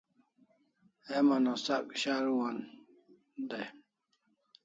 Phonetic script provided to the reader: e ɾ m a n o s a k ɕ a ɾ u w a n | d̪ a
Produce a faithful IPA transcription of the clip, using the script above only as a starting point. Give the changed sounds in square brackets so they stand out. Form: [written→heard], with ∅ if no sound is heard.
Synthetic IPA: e [ɾ→∅] m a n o s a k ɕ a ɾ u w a n | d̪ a